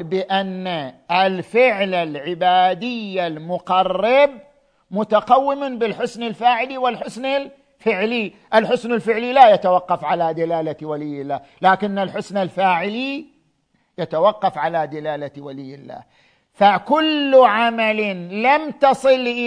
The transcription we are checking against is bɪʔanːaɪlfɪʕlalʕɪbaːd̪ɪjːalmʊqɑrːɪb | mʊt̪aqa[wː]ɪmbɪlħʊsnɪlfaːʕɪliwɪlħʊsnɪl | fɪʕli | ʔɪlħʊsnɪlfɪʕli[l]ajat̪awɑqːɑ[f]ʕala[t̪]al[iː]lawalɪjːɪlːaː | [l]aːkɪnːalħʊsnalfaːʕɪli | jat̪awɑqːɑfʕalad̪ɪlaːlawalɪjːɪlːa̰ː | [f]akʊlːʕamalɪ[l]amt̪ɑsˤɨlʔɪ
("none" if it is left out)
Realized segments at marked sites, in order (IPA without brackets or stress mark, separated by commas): wː, l, f, d̪, aː, l, f, l